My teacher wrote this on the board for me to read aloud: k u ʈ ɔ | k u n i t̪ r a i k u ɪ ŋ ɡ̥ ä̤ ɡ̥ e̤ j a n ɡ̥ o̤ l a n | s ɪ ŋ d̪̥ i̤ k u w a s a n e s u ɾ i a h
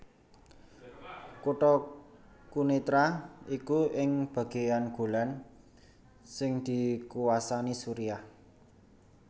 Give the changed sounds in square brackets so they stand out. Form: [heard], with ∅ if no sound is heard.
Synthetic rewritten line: k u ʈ ɔ | k u n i t̪ [ɾ] a i k u ɪ ŋ [b̥] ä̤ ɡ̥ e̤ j a n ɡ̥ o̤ l a n | s ɪ ŋ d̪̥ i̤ k u w a s a n [i] s u ɾ i a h